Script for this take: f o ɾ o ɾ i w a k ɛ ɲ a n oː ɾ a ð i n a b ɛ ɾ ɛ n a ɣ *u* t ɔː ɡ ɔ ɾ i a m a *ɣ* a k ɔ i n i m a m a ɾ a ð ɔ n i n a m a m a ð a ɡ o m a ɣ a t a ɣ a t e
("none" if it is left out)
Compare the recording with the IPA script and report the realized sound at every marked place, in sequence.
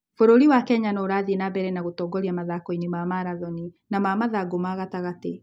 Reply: o, ð

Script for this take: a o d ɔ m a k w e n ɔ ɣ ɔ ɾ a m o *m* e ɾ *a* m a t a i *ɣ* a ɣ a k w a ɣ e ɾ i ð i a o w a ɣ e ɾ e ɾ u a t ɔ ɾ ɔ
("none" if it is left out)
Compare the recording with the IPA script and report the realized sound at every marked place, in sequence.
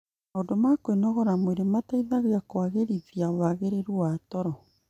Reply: none, e, ð

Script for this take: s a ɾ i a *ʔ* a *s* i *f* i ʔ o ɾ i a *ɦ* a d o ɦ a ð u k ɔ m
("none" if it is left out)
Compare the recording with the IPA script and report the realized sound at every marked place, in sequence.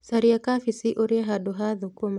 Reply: k, f, s, ɦ

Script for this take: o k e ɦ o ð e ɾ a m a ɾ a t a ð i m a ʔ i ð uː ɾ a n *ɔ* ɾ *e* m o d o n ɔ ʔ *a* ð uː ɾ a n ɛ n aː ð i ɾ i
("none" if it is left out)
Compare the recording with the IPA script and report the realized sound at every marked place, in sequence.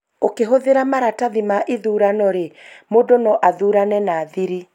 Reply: ɔ, e, a

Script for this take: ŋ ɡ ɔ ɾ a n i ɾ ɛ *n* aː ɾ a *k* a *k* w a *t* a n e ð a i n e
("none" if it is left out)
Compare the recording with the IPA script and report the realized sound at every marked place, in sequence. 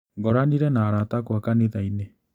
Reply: n, t, k, k

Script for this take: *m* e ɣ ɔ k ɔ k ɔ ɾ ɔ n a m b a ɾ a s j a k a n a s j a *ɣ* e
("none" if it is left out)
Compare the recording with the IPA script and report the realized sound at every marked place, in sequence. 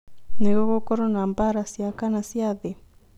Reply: n, ð

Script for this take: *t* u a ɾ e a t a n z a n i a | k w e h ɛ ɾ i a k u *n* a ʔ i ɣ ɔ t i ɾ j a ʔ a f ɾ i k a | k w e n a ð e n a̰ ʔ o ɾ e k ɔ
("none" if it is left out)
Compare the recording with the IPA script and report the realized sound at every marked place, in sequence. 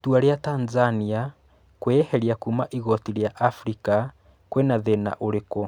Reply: t, m

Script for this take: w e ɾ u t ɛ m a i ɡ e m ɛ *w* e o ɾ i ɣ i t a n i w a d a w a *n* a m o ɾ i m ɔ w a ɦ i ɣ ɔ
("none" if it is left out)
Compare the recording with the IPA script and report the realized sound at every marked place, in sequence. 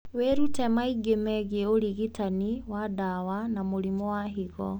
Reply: ɣ, n

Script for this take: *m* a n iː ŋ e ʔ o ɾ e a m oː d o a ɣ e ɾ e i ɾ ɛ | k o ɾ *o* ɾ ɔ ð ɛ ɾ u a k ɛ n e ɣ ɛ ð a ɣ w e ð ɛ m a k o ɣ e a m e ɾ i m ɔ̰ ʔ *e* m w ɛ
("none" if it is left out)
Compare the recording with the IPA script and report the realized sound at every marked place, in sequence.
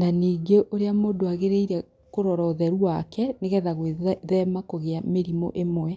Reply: n, ɔ, e

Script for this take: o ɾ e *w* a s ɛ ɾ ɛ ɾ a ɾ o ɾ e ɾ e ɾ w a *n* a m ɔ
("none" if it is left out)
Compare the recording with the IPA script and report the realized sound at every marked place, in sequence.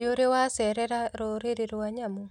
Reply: w, ɲ

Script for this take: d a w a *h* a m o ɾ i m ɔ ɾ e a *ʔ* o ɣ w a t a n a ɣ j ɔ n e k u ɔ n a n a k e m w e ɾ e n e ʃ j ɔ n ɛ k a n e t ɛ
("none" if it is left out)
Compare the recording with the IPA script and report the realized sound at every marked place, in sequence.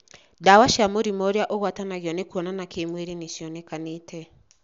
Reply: ʃ, ʔ

